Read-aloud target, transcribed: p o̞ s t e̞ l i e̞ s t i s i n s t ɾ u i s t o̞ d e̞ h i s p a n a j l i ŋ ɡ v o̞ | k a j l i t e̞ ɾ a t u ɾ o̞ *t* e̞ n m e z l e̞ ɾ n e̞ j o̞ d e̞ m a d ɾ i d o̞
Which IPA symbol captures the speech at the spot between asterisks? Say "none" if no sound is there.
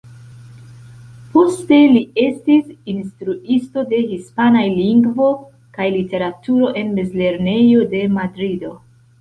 ʔ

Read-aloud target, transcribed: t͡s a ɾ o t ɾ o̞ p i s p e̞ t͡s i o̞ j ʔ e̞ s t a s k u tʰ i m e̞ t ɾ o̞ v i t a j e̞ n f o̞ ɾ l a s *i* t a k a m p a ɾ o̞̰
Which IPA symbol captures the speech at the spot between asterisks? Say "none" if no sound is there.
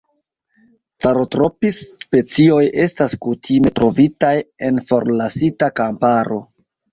i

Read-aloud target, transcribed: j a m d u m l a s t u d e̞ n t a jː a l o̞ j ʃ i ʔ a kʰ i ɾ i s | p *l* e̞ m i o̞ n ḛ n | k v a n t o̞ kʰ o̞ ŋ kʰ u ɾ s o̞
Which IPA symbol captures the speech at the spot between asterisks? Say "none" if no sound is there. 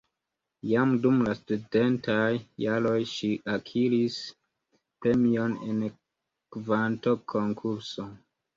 ɾ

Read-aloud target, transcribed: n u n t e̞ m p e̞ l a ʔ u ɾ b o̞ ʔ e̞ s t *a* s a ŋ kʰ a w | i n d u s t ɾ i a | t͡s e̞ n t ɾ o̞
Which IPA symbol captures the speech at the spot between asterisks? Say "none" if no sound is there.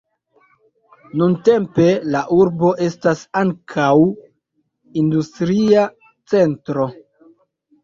a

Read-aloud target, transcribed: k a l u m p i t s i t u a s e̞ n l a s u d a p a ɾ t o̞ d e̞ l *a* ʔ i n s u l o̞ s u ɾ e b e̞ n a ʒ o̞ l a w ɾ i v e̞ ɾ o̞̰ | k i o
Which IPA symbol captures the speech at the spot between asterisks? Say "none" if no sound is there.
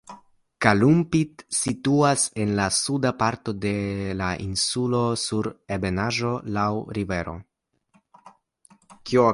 a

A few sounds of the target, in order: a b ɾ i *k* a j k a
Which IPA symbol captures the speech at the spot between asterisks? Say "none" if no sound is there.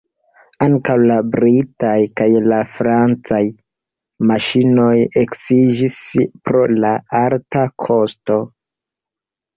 t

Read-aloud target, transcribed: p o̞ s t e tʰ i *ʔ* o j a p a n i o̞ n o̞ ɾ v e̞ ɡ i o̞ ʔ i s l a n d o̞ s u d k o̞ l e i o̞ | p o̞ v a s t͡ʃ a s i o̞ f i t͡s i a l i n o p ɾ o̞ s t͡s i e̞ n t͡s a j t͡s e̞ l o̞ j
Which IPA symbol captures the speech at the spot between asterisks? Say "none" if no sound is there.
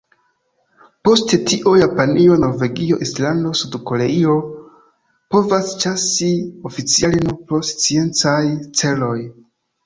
ʔ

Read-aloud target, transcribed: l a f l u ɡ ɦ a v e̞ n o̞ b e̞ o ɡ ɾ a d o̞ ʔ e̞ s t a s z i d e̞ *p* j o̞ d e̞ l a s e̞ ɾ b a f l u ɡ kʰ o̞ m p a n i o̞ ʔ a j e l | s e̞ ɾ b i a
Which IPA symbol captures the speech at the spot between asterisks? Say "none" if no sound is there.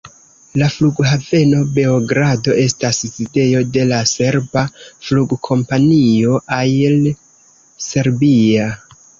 none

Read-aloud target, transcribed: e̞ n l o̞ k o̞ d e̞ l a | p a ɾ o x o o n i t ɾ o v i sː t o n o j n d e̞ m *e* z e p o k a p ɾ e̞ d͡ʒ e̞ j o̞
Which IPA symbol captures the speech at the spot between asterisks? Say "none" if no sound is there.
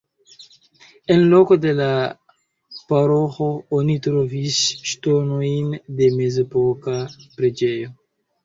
e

